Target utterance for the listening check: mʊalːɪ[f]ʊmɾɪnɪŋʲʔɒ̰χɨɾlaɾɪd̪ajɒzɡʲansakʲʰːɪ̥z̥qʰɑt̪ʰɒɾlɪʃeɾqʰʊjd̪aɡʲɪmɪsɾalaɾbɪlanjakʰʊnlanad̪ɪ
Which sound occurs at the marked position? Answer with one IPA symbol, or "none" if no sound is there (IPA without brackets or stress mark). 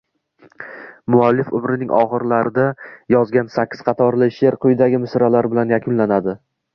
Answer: f